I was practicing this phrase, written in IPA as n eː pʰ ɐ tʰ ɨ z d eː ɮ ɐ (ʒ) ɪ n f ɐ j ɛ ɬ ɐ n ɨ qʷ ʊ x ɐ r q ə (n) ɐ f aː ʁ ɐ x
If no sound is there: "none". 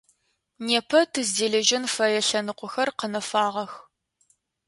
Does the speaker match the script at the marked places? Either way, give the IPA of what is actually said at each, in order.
ʒ, n

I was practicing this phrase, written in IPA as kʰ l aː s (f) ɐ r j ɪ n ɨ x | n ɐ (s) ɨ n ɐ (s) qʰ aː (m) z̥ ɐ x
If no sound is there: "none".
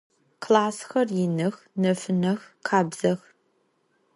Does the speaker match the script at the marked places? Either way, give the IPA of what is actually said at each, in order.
x, f, x, b

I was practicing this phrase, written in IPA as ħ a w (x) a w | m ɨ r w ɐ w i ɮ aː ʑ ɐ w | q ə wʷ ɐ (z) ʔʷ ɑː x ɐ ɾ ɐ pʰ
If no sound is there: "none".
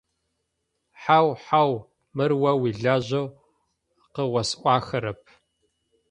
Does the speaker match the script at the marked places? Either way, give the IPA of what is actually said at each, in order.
ħ, s

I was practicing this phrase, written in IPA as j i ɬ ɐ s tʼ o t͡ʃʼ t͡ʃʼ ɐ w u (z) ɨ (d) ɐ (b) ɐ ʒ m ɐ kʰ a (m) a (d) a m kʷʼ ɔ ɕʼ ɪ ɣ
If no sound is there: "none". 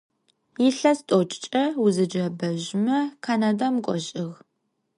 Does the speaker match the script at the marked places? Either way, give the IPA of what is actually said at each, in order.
z, d͡ʒ, b, n, d

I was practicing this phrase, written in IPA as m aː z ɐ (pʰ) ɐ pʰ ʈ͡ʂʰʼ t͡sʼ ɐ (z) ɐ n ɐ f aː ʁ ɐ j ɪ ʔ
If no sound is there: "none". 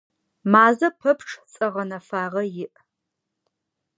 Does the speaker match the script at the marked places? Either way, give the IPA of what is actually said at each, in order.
pʰ, ʁ

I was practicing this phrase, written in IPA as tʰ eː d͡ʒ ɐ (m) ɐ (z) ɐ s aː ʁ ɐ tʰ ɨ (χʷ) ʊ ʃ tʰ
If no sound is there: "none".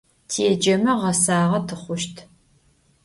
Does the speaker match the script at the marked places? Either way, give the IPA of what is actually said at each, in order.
m, ʁ, χʷ

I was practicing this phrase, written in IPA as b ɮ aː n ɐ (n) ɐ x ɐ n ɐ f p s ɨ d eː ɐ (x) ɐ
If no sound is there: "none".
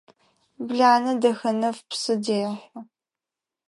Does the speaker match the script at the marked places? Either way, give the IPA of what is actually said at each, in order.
d, ħ

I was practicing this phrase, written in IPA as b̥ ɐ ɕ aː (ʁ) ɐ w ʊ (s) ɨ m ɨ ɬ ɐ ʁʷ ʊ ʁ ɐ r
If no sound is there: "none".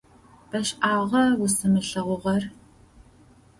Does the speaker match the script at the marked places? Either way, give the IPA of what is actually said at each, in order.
ʁ, s

